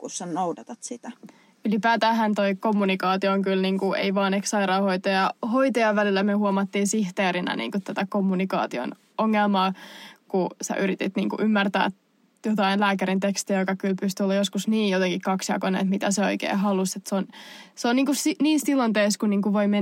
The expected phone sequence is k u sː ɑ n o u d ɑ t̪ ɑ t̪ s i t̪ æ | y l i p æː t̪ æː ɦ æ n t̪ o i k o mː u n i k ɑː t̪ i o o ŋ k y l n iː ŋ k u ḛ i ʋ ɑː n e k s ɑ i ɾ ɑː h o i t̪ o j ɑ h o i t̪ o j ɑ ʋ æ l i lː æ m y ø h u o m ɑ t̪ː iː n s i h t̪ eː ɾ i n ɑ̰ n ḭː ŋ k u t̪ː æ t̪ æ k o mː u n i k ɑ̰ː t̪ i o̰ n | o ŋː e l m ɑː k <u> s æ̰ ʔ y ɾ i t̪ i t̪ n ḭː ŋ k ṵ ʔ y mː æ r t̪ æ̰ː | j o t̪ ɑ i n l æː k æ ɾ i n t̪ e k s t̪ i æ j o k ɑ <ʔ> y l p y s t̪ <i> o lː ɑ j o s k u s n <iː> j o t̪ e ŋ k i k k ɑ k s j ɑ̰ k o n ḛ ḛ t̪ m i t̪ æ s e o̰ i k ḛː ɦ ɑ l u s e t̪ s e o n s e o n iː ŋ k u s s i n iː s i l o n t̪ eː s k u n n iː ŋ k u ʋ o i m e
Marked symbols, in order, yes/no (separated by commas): yes, no, no, yes